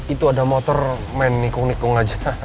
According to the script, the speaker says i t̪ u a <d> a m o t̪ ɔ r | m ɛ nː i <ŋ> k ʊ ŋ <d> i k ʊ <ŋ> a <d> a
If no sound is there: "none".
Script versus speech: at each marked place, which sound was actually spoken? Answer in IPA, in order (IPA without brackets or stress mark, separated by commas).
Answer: d, none, n, ŋ, d͡ʒ